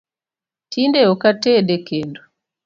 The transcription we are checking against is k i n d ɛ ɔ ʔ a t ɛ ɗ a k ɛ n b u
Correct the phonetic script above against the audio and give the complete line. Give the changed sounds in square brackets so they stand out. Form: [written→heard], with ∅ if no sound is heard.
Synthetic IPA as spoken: [k→t] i n d ɛ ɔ [ʔ→k] a t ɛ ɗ [a→ɛ] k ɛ n [b→d] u